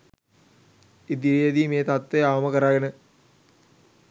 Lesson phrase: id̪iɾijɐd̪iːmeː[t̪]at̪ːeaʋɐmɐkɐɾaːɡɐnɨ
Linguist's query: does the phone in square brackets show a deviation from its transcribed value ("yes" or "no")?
no